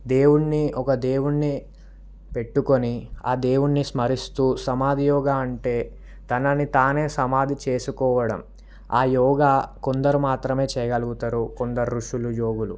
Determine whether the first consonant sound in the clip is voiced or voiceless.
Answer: voiced